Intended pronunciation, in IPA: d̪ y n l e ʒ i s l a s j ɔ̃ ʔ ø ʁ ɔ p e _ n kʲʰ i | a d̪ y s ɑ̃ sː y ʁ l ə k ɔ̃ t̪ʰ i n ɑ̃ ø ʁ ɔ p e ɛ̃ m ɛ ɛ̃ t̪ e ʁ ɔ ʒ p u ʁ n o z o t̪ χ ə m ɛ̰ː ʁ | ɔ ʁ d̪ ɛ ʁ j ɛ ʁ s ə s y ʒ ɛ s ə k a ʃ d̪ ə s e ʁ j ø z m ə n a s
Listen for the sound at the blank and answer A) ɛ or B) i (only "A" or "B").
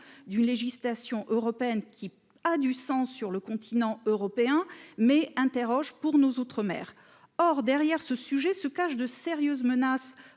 A